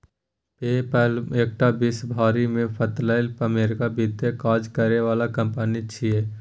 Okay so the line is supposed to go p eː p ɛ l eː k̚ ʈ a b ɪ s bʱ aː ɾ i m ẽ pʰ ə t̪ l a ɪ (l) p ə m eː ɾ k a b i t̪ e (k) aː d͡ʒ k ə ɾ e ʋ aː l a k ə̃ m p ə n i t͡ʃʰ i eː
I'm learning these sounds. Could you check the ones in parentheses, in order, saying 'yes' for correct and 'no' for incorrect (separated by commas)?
yes, yes